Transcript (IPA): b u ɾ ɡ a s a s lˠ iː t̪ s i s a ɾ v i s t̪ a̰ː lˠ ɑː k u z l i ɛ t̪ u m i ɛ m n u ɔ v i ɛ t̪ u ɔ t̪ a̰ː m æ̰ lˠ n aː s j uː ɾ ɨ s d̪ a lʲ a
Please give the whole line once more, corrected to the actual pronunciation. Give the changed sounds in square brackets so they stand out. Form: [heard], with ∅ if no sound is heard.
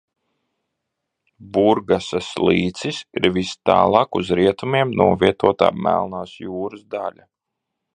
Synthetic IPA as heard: b u ɾ ɡ a s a s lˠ iː t̪ s i s [i] ɾ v i s t̪ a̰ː lˠ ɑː k u z [ɾ] i ɛ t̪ u m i ɛ m n u ɔ v i ɛ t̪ u ɔ t̪ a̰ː m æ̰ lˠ n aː s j uː ɾ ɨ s d̪ a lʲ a